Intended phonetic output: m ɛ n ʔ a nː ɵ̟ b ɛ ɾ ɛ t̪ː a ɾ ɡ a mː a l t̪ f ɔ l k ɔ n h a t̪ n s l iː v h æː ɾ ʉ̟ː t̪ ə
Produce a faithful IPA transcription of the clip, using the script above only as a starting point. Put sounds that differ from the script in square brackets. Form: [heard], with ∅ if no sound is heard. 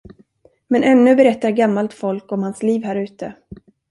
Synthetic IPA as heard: m ɛ n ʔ [ɛ] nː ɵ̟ b ɛ ɾ ɛ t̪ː a ɾ ɡ a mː a l t̪ f ɔ l k ɔ [m] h a [∅] n s l iː v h æː ɾ ʉ̟ː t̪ ə